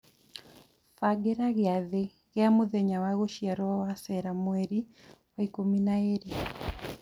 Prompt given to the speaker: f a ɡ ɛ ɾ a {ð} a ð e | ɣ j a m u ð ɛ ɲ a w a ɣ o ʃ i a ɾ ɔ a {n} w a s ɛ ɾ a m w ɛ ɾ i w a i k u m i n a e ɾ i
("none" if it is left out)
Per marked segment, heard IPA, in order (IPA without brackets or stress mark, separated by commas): ɣ, none